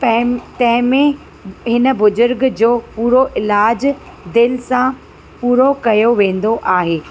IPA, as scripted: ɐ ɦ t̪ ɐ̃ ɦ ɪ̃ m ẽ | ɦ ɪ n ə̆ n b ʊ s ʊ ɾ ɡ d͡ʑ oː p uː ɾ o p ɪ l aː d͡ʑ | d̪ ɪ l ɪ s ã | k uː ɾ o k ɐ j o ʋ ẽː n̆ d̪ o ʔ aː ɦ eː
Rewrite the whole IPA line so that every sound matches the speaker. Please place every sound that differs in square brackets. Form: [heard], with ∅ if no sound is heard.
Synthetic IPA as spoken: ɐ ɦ t̪ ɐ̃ ɦ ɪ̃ m ẽ | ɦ ɪ n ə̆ [∅] b ʊ [z] ʊ ɾ ɡ d͡ʑ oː p uː ɾ o [ʔ] ɪ l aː d͡ʑ | d̪ ɪ l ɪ s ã | [p] uː ɾ o k ɐ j o ʋ ẽː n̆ d̪ o ʔ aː ɦ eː